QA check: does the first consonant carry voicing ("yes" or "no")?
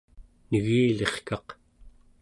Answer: yes